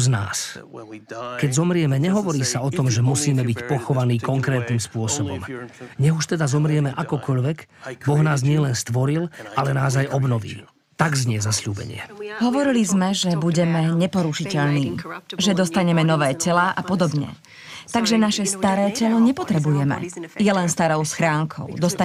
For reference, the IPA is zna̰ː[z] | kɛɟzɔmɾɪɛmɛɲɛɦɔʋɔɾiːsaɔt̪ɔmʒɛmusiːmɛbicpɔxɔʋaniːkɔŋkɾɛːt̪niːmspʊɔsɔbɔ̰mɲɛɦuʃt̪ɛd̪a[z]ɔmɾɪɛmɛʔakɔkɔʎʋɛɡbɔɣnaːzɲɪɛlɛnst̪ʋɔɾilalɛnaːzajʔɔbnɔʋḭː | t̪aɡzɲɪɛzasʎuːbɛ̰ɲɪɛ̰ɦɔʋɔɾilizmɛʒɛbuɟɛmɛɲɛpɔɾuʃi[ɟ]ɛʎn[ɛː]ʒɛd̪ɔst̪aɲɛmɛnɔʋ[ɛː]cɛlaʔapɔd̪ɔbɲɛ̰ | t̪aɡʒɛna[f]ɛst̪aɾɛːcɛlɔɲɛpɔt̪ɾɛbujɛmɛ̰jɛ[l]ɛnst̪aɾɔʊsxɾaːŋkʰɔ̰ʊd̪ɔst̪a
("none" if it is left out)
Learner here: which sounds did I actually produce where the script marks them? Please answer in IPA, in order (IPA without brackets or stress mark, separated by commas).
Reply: s, z, c, iː, ɛː, ʃ, l